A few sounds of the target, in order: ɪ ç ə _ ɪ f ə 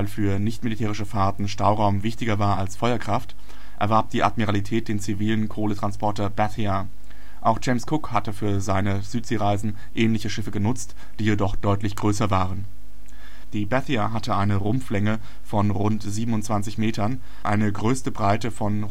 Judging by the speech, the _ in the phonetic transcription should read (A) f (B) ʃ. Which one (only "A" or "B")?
B